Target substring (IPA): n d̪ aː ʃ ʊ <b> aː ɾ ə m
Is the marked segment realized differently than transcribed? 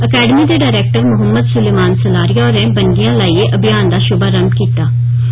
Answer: no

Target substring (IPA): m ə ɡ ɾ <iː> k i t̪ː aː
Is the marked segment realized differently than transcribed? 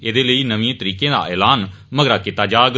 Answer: yes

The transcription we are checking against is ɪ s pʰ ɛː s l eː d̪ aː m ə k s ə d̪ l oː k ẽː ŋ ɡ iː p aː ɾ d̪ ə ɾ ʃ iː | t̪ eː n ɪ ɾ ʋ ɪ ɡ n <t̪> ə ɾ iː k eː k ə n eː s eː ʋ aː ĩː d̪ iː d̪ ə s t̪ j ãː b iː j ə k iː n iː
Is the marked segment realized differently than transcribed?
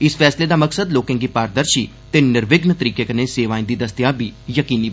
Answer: no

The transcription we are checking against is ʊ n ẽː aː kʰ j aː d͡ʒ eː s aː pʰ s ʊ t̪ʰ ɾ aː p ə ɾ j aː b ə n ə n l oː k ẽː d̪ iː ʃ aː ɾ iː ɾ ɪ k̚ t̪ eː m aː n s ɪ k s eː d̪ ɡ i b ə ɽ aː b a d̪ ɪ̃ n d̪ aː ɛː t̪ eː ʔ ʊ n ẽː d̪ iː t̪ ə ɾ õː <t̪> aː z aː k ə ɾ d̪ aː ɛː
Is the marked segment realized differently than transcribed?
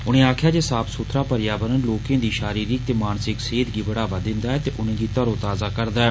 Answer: no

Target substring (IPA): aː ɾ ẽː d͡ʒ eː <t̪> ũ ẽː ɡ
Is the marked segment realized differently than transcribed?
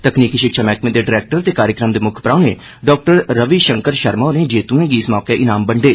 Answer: no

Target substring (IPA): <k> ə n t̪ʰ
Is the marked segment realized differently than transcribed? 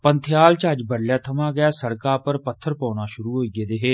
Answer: yes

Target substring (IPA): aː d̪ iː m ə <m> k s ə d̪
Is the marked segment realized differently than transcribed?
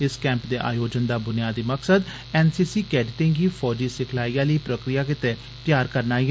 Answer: yes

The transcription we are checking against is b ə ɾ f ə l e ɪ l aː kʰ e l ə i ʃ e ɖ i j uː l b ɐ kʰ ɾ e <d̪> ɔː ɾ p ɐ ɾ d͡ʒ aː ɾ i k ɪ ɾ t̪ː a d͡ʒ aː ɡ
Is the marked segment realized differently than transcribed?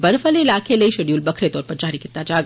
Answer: yes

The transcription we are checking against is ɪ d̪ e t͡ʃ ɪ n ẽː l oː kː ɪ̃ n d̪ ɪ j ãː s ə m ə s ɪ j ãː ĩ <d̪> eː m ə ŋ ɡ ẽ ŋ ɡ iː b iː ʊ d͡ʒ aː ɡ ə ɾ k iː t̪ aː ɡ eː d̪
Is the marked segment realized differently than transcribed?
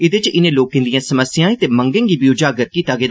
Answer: yes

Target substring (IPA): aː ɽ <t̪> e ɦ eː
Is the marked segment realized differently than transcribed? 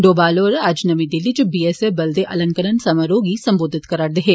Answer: yes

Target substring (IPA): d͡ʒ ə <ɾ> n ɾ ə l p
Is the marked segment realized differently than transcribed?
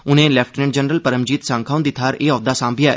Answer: yes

